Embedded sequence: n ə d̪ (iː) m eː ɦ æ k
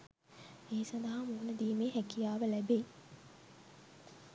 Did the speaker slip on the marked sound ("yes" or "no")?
no